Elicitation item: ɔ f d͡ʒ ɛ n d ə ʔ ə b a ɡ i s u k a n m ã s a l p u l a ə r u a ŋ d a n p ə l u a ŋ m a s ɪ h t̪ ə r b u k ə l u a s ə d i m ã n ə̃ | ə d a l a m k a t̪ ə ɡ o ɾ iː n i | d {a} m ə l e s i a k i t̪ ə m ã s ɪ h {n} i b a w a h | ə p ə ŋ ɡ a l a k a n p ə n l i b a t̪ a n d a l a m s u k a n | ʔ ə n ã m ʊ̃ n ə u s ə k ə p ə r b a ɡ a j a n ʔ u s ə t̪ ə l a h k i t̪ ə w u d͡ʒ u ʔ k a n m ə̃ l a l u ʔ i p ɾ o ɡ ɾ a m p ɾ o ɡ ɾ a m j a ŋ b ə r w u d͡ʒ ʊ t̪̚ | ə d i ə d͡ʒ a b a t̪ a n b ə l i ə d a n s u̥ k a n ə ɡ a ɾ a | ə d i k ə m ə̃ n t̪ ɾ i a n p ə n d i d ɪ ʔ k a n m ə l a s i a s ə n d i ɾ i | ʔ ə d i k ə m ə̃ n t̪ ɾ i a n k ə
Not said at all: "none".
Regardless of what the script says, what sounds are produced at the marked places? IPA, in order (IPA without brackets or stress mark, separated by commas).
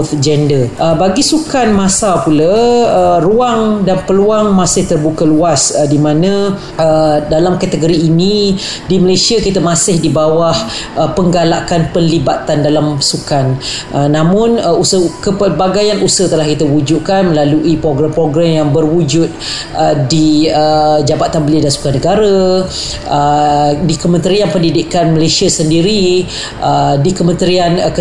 i, d